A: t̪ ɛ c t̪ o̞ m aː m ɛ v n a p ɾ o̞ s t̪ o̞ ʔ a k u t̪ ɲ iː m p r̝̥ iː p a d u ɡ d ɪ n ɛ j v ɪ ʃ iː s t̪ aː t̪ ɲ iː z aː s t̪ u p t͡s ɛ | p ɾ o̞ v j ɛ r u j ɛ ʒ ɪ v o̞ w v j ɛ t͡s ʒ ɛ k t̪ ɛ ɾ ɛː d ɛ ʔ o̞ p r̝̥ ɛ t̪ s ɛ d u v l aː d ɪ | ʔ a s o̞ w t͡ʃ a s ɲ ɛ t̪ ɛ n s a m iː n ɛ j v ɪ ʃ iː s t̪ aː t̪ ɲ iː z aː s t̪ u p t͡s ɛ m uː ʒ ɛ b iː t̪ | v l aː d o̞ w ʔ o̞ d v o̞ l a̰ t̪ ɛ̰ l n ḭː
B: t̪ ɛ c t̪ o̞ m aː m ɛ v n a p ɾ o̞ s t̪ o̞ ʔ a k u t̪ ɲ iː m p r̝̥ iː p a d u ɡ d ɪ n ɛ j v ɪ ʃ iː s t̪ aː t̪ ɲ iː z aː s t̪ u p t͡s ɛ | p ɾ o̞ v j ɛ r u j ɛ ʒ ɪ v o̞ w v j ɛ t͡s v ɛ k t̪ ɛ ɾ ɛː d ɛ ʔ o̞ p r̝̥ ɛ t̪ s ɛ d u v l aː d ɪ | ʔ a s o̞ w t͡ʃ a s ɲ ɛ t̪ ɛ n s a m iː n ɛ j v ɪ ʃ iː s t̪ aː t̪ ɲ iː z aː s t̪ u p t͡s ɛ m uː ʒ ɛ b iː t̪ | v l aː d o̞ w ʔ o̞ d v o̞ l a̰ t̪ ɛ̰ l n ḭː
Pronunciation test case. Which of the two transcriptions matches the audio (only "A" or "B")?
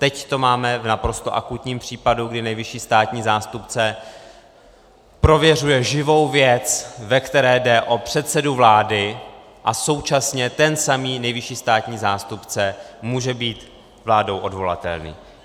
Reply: B